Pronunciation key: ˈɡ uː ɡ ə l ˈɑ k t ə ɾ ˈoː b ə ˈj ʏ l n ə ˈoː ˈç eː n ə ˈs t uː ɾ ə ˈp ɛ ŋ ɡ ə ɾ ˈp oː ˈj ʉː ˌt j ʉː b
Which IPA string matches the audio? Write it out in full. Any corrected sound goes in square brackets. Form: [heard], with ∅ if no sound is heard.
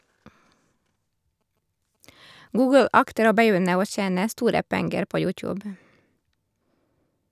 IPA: ˈɡ uː ɡ ə l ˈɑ k t ə ɾ ˈoː b ə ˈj ʏ [∅] n ə ˈoː ˈç eː n ə ˈs t uː ɾ ə ˈp ɛ ŋ ɡ ə ɾ ˈp oː ˈj ʉː ˌt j ʉː b